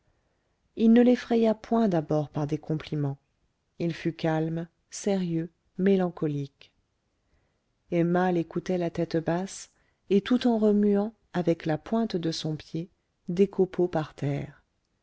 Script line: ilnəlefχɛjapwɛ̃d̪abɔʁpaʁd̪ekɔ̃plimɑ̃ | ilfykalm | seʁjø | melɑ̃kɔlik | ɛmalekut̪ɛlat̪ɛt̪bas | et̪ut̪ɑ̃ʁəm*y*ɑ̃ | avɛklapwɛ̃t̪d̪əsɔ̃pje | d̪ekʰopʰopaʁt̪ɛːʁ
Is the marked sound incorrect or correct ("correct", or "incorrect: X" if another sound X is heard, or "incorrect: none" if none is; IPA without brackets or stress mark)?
correct